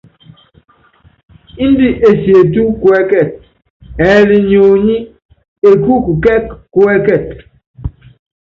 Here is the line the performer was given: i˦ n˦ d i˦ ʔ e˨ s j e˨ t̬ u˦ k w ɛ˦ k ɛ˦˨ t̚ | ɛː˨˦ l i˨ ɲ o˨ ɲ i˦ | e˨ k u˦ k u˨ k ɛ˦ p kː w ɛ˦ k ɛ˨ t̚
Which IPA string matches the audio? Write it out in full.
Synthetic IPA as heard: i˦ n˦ d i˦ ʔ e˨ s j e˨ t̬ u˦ k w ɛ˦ k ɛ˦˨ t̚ | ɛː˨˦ l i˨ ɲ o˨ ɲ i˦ | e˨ k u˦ k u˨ k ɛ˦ k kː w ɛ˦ k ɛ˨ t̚